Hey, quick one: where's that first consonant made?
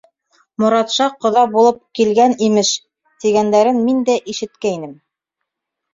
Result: lips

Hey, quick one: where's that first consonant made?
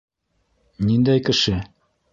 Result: tongue tip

